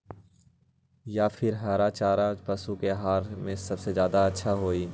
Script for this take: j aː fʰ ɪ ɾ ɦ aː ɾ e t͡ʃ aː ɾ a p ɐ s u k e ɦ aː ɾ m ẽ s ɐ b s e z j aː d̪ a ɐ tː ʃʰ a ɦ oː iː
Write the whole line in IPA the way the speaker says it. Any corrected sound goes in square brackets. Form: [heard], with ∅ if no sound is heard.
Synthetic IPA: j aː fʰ ɪ ɾ ɦ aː ɾ [a] t͡ʃ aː ɾ a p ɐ s u k e ɦ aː ɾ m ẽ s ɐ b s e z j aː d̪ a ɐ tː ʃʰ a ɦ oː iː